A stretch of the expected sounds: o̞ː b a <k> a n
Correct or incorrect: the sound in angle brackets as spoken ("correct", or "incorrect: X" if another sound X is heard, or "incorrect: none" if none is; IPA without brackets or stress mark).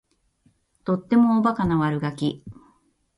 correct